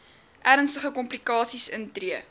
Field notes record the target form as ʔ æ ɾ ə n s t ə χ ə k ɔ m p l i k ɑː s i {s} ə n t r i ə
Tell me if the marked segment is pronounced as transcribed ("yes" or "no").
yes